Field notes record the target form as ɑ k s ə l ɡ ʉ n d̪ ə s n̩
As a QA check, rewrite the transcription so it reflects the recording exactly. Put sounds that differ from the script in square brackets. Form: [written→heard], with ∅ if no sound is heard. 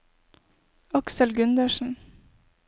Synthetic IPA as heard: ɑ k s ə l ɡ ʉ n d̪ ə [s→ʃ] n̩